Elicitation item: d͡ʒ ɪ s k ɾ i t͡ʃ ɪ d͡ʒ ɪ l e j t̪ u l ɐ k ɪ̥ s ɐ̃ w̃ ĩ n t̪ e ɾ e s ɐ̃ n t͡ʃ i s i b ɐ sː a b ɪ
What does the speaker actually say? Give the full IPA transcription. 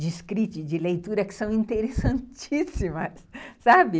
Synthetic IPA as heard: d͡ʒ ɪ s k ɾ i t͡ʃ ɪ d͡ʒ ɪ l e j t̪ u ɾ ɐ k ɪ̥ s ɐ̃ w̃ ĩ n t̪ e ɾ e s ɐ̃ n t͡ʃ i s i m ɐ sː a b ɪ